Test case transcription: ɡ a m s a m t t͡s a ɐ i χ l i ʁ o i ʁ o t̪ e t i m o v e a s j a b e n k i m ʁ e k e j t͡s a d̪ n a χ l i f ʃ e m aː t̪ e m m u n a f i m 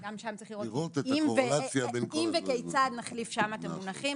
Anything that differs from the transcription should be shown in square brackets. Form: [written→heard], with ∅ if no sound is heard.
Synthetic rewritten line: ɡ a m [s→ʃ] a m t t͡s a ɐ i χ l i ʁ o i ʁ o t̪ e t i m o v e a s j a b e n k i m [ʁ→v] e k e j t͡s a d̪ n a χ l i f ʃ [e→a] m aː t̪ e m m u n a [f→χ] i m